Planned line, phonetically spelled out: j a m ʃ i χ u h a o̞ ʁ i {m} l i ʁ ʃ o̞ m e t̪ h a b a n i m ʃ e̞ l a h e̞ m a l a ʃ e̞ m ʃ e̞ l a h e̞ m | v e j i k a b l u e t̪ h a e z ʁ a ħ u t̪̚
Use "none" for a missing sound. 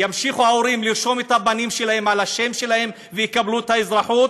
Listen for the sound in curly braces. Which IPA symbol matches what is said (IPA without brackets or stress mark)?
m